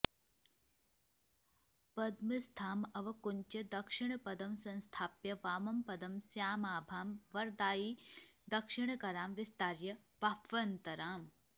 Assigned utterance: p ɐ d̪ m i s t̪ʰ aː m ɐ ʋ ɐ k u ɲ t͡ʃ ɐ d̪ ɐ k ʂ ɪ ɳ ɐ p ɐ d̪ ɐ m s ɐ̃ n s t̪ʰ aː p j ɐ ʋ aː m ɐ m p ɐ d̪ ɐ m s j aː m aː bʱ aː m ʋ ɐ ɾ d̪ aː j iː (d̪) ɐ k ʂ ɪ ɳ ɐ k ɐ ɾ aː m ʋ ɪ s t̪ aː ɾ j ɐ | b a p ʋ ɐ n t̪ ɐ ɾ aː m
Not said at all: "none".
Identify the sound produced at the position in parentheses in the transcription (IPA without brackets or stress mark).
d̪